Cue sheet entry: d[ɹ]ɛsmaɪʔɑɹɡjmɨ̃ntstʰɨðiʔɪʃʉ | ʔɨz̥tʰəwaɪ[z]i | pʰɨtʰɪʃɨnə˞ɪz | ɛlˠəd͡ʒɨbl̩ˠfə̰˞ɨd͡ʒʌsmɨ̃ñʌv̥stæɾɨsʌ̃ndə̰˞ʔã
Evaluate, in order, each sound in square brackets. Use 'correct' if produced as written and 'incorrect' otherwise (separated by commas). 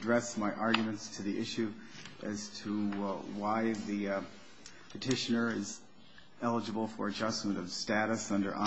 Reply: correct, incorrect